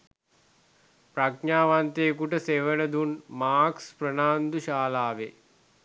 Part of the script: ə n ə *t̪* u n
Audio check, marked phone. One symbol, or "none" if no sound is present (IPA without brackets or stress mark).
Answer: d̪